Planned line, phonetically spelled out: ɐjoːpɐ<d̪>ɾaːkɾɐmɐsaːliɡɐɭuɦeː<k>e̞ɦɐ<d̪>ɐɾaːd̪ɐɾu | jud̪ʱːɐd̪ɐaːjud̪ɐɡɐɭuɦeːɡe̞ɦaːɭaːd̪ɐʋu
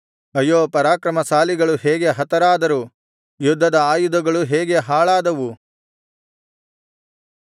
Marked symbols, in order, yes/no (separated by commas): no, no, no